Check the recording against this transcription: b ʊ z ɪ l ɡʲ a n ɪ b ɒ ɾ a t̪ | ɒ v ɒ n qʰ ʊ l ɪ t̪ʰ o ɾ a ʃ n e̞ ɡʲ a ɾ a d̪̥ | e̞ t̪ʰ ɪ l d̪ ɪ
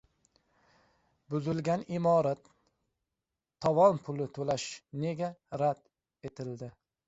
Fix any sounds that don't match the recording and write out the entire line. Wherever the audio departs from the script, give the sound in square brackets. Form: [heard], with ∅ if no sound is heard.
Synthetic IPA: b ʊ z ɪ l ɡʲ a n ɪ [m] ɒ ɾ a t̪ | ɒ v ɒ n [pʰ] ʊ l ɪ t̪ʰ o [l] a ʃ n e̞ ɡʲ a ɾ a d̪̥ | e̞ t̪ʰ ɪ l d̪ ɪ